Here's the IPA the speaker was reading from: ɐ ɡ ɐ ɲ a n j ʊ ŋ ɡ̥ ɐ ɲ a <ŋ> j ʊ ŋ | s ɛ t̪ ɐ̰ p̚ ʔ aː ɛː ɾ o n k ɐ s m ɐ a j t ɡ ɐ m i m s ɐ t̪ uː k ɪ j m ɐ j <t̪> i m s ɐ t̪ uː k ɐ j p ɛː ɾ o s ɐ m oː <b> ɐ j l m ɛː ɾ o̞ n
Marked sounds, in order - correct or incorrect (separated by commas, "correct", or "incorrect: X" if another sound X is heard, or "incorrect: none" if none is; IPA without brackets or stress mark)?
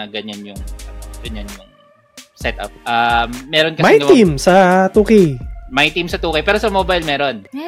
incorrect: n, correct, correct